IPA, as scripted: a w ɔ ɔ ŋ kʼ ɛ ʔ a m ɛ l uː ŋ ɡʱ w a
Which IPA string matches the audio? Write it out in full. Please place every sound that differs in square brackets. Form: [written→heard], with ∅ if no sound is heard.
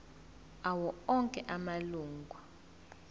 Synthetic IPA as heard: a w ɔ ɔ ŋ kʼ ɛ ʔ a m [ɛ→a] l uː ŋ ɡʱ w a